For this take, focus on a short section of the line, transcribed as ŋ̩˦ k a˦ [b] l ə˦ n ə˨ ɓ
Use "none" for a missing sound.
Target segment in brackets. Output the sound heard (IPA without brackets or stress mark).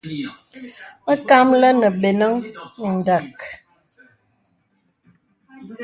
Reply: m